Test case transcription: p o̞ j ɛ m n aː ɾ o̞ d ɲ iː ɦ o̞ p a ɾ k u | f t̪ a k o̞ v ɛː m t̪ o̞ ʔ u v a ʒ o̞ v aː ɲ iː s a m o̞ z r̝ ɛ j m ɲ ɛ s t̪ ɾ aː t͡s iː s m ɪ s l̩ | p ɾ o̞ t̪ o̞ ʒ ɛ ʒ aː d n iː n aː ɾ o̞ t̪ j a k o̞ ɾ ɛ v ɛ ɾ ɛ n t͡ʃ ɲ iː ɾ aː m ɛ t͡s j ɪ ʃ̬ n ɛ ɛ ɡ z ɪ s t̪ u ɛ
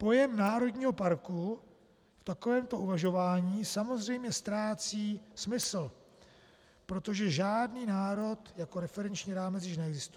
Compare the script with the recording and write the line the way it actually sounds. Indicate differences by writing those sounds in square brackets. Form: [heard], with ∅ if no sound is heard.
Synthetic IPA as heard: p o̞ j ɛ m n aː ɾ o̞ d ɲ iː ɦ o̞ p a ɾ k u | f t̪ a k o̞ v ɛː m t̪ o̞ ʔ u v a ʒ o̞ v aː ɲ iː s a m o̞ z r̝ ɛ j m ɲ ɛ s t̪ ɾ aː t͡s iː s m ɪ s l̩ | p ɾ o̞ t̪ o̞ ʒ ɛ ʒ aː d n iː n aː ɾ o̞ t̪ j a k o̞ ɾ ɛ [f] ɛ ɾ ɛ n t͡ʃ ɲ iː ɾ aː m ɛ t͡s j ɪ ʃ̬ n ɛ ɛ ɡ z ɪ s t̪ u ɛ

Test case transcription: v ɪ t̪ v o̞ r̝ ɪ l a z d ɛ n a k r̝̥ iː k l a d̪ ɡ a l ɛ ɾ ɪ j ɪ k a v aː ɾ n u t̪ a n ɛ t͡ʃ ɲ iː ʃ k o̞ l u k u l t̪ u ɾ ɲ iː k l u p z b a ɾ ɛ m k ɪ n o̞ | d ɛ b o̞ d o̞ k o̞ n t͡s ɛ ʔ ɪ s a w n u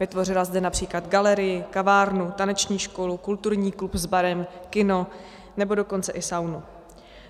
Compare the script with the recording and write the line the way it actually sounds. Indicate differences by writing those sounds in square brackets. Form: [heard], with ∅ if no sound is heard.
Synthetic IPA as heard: v ɪ t̪ v o̞ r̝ ɪ l a z d ɛ n a [p] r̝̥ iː k l a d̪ ɡ a l ɛ ɾ ɪ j ɪ k a v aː ɾ n u t̪ a n ɛ t͡ʃ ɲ iː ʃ k o̞ l u k u l t̪ u ɾ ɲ iː k l u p z b a ɾ ɛ m k ɪ n o̞ | [n] ɛ b o̞ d o̞ k o̞ n t͡s ɛ ʔ ɪ s a w n u

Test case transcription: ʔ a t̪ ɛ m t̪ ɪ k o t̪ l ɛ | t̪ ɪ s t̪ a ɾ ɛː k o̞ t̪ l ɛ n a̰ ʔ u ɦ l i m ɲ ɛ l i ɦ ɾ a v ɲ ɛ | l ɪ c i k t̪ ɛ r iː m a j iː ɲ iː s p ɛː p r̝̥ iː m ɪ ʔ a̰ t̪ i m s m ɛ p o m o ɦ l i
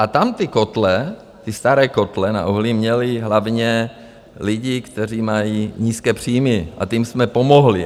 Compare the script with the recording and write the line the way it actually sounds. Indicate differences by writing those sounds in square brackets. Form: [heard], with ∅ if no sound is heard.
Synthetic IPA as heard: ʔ a t̪ [a] m t̪ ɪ k o t̪ l ɛ | t̪ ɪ s t̪ a ɾ ɛː k o̞ t̪ l ɛ n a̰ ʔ u ɦ l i m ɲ ɛ l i ɦ [l] a v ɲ ɛ | l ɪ [ɟ] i k t̪ ɛ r iː m a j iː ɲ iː s [k] ɛː p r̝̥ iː m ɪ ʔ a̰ t̪ i m s m ɛ p o m o ɦ l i

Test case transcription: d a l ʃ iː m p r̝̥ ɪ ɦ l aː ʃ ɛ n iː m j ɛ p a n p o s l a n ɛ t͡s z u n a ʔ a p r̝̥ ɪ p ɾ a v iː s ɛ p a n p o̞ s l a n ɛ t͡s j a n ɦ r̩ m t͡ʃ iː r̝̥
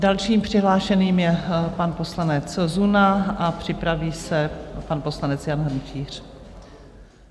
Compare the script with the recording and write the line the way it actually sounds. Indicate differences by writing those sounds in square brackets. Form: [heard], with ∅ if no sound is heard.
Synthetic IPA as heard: d a l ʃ iː m p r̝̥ ɪ ɦ l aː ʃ ɛ n iː m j ɛ p a n p o s l a n ɛ t͡s z u n a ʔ a p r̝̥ ɪ p ɾ a v iː s ɛ p a n p o̞ s l a n ɛ t͡s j a n ɦ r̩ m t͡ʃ iː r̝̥

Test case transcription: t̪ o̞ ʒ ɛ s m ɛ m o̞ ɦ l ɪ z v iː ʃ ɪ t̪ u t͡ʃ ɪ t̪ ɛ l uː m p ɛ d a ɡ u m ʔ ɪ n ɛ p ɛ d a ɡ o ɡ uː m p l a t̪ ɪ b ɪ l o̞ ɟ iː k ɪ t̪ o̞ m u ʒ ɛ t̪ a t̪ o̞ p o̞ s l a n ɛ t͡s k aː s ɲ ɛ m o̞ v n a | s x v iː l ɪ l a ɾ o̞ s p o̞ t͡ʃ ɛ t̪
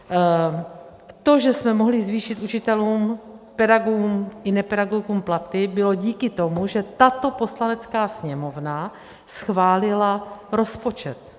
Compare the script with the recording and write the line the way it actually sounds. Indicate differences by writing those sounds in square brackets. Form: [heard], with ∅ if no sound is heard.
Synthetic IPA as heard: t̪ o̞ ʒ ɛ s m ɛ m o̞ ɦ l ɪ z v iː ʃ ɪ t̪ u t͡ʃ ɪ t̪ ɛ l uː m p ɛ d a ɡ u m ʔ ɪ n ɛ p ɛ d a ɡ o ɡ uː m p l a t̪ ɪ b ɪ l o̞ ɟ iː k ɪ t̪ o̞ m u ʒ ɛ t̪ a t̪ o̞ p o̞ s l a n ɛ t͡s k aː s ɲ ɛ m o̞ v n a | s x v [aː] l ɪ l a ɾ o̞ s p o̞ t͡ʃ ɛ t̪

